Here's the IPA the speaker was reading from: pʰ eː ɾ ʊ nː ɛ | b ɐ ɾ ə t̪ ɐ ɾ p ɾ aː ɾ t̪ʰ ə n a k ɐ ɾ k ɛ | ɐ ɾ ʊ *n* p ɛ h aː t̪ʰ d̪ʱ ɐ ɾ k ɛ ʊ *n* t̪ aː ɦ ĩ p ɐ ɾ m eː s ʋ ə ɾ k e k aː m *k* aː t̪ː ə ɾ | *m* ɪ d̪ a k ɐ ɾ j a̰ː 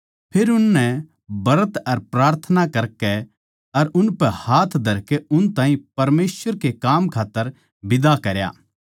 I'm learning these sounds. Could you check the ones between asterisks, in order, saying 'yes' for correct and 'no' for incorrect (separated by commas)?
yes, yes, no, no